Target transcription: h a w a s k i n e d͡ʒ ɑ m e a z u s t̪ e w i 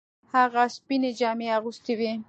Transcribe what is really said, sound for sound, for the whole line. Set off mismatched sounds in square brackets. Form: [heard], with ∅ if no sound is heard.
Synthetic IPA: h a [ɣ] a s [p] i n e d͡ʒ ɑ m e a [ɣ] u s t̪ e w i